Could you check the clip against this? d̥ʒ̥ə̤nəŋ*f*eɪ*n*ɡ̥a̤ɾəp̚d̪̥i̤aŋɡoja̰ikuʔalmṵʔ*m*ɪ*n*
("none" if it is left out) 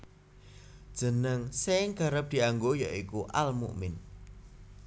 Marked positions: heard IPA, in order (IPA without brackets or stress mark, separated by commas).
s, ŋ, m, n